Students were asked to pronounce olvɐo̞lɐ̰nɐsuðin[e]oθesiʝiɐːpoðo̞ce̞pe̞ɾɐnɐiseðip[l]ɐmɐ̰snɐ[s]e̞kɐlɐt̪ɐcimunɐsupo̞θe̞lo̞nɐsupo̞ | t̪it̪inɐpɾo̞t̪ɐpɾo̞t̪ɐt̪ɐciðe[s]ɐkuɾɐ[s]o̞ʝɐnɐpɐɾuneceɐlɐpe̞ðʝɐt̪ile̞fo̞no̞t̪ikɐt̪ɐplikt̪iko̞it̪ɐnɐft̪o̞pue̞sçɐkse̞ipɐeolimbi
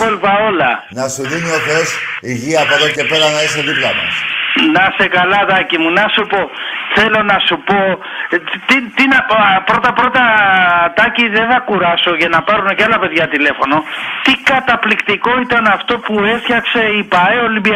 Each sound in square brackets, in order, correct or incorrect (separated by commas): incorrect, correct, correct, incorrect, correct